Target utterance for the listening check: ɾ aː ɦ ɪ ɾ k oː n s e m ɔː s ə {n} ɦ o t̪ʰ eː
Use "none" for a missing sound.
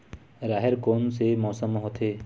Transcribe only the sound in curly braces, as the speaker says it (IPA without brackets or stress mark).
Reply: m